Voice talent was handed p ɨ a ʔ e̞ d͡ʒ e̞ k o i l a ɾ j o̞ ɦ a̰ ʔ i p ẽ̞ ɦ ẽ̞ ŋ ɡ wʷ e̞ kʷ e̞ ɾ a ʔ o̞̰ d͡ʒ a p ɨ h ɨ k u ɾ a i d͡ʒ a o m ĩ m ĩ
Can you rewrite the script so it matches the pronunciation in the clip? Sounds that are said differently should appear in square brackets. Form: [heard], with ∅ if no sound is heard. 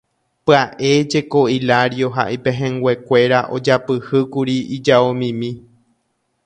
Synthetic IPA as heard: p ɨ a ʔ e̞ d͡ʒ e̞ k o i l a ɾ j o̞ ɦ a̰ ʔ i p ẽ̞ ɦ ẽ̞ ŋ ɡ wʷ e̞ kʷ e̞ ɾ a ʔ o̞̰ d͡ʒ a p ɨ h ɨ k u ɾ [i] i d͡ʒ a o m ĩ m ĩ